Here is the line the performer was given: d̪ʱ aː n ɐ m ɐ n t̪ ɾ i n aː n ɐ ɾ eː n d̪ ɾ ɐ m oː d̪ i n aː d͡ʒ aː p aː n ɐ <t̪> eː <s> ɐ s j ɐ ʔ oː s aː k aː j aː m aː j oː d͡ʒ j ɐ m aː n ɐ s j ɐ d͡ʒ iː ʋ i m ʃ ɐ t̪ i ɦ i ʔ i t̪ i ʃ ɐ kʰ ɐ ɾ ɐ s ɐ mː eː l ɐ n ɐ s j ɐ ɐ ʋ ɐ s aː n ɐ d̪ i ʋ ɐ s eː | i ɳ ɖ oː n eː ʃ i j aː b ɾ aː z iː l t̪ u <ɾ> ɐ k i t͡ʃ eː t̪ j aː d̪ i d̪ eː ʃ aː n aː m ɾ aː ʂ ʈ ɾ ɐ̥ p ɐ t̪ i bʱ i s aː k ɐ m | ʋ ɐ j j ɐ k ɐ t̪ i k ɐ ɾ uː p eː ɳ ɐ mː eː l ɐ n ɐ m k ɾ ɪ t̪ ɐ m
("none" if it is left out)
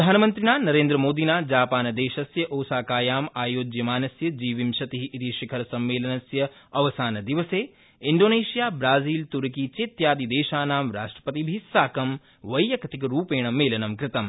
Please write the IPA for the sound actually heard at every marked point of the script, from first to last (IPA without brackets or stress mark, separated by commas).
d̪, ʃ, ɾ